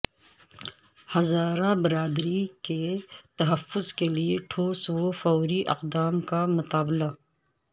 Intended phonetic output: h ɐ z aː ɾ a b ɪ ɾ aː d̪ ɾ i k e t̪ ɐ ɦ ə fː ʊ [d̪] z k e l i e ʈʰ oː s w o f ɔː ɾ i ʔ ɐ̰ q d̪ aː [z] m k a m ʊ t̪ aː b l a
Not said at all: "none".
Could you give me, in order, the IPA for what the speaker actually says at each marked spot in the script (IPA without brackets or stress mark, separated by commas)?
none, none